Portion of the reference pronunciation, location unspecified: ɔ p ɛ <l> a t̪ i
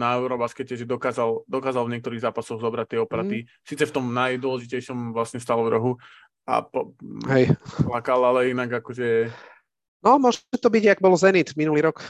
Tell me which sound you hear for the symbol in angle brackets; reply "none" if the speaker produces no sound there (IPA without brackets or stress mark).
ɾ